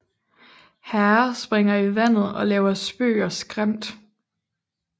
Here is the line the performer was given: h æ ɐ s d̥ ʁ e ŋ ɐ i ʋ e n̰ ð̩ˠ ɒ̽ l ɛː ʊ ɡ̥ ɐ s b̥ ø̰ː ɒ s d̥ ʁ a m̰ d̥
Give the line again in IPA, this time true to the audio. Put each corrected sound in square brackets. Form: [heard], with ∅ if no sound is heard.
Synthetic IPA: h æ ɐ s [b̥] ʁ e ŋ ɐ i ʋ [æ] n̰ ð̩ˠ ɒ̽ l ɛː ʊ [∅] ɐ s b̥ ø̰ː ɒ s [ɡ̥] ʁ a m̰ d̥

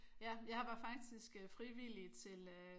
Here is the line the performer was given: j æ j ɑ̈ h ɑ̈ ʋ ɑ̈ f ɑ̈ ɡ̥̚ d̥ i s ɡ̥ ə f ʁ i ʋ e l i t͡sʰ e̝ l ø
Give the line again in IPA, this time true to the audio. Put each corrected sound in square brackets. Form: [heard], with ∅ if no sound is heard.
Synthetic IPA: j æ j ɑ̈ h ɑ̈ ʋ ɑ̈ f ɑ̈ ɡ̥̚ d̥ i s ɡ̥ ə f ʁ i ʋ [i] l i t͡sʰ e̝ l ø

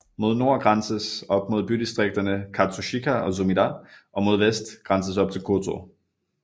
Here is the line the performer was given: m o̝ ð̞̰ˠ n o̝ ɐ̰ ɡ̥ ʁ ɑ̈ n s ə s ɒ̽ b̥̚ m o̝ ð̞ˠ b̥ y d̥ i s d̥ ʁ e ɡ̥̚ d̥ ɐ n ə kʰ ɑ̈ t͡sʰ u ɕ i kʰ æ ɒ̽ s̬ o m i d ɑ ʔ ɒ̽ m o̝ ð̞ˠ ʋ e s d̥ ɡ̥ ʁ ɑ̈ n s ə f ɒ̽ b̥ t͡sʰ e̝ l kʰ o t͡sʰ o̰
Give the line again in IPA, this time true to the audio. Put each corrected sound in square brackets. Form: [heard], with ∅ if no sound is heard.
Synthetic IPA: m o̝ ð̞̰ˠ n o̝ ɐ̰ ɡ̥ ʁ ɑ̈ n s ə s ɒ̽ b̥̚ m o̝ ð̞ˠ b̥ y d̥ i s d̥ ʁ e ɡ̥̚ d̥ ɐ n ə kʰ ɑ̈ t͡sʰ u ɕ i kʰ æ ɒ̽ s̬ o m i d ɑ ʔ ɒ̽ m o̝ ð̞ˠ ʋ e s d̥ ɡ̥ ʁ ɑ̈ n s ə [s] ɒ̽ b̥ t͡sʰ e̝ l kʰ o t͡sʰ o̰

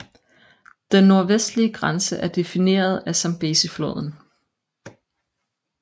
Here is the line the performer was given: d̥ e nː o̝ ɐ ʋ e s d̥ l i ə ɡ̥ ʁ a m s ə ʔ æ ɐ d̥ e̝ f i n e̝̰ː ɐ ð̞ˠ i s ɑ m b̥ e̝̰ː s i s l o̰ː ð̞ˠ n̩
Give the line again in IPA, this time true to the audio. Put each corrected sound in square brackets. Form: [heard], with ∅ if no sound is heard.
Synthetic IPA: d̥ e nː o̝ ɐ ʋ e s d̥ l i ə ɡ̥ ʁ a [n] s ə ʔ æ ɐ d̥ e̝ f i n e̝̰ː ɐ ð̞ˠ [æ] s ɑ m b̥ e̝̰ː s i [f] l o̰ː ð̞ˠ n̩

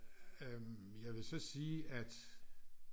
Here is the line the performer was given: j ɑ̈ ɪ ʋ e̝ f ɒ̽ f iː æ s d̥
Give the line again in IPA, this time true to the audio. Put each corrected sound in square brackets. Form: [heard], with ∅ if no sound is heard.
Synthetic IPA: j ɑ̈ ɪ ʋ e̝ [s] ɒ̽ [s] iː æ [∅] d̥

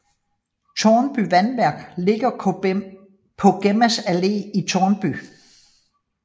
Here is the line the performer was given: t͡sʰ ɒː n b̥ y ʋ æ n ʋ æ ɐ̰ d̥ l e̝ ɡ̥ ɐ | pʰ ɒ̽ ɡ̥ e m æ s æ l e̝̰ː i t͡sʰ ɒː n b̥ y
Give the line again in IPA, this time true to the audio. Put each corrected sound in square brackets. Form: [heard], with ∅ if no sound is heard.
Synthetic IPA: t͡sʰ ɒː n b̥ y ʋ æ n ʋ æ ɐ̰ [ɡ̥] l e̝ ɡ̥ ɐ | pʰ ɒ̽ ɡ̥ e m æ s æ l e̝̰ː i t͡sʰ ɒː n b̥ y

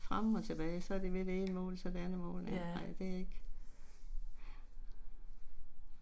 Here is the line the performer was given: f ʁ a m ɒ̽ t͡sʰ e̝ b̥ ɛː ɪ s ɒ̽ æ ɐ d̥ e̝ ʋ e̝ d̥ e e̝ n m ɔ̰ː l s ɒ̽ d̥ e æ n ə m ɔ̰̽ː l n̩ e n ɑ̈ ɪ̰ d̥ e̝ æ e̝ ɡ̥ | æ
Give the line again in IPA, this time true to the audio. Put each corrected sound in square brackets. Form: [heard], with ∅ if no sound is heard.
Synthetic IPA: f ʁ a m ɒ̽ t͡sʰ e̝ b̥ ɛː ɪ s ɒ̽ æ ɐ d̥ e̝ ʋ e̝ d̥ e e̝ n m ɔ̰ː l s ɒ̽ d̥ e æ n ə m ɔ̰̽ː l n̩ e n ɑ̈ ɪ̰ d̥ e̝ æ e̝ ɡ̥ | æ

